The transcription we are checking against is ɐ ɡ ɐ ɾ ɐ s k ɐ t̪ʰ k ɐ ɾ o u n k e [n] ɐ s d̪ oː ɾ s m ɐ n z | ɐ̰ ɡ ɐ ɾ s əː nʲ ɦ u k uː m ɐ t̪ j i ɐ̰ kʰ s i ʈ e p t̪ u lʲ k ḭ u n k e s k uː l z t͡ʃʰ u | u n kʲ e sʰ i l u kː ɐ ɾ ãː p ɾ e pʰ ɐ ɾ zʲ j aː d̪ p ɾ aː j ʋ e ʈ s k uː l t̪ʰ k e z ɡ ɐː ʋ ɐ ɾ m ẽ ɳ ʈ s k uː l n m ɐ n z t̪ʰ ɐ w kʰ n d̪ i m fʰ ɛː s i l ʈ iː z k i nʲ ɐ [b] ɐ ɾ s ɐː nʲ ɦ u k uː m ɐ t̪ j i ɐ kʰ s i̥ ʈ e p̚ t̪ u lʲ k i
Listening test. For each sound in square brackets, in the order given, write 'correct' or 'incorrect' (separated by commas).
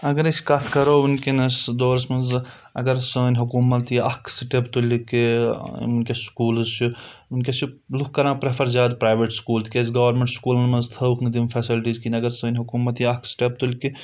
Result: correct, incorrect